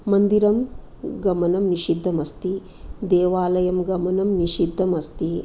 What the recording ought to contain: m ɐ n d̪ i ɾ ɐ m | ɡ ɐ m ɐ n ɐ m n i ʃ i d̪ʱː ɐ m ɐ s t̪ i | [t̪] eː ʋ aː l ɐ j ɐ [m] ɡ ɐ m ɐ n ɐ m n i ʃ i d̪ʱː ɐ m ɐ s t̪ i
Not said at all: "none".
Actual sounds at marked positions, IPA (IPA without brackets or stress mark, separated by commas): d̪, m